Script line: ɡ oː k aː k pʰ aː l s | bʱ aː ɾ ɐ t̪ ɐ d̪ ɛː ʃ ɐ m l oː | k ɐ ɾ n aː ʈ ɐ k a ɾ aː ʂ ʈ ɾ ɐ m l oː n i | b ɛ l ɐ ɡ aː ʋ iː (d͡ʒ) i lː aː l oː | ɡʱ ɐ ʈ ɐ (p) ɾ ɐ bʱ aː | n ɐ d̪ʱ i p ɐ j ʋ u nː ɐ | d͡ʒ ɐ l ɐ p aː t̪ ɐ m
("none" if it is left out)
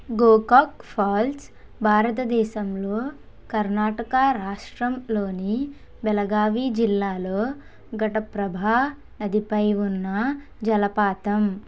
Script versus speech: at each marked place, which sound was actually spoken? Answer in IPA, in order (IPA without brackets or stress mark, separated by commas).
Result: d͡ʒ, p